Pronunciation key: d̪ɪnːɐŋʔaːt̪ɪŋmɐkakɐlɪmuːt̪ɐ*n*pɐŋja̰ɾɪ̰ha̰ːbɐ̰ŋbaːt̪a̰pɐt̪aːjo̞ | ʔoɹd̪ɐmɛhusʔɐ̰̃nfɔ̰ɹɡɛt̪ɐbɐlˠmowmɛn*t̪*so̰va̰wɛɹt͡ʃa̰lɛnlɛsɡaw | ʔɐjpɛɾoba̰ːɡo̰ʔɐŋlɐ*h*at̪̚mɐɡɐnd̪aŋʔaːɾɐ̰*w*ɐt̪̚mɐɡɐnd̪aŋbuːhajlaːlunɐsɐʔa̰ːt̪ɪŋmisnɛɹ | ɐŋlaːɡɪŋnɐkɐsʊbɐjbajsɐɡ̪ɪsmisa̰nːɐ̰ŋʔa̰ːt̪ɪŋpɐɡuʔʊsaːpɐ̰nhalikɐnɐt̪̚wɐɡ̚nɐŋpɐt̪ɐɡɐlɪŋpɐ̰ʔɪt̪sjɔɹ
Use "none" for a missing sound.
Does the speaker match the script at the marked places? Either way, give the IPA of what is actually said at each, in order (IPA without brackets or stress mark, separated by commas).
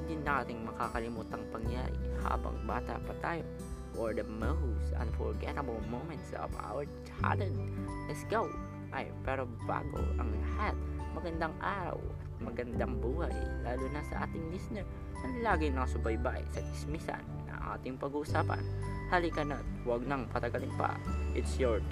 ŋ, t̪, h, w